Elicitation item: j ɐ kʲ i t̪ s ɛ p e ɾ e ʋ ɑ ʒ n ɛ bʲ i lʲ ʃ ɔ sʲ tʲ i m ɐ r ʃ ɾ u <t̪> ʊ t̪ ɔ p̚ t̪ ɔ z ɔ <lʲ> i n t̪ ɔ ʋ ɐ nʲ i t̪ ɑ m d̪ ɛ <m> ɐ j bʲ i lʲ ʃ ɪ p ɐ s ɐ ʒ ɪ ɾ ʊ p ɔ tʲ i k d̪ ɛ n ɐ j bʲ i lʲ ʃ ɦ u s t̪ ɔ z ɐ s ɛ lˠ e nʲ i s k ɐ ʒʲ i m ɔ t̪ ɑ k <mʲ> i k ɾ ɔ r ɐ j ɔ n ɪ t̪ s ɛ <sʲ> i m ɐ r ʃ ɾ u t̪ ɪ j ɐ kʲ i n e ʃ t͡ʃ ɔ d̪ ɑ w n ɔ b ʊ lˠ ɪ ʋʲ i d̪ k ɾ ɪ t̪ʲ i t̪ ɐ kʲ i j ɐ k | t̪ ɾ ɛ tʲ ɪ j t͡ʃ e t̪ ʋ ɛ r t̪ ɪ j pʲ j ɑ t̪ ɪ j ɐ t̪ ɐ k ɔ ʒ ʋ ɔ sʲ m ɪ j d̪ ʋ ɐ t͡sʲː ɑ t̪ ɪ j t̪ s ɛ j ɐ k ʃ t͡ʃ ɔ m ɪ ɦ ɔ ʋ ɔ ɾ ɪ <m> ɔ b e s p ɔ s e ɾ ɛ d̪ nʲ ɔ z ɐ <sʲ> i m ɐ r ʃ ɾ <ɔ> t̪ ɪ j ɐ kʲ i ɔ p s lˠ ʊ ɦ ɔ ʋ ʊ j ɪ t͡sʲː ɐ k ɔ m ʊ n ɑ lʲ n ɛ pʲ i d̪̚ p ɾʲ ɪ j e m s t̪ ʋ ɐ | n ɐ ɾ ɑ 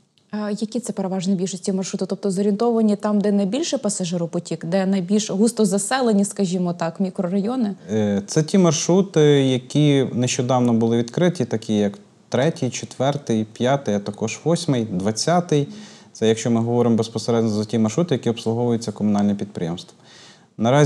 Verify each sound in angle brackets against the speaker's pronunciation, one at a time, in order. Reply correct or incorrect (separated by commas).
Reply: correct, incorrect, incorrect, correct, incorrect, correct, incorrect, incorrect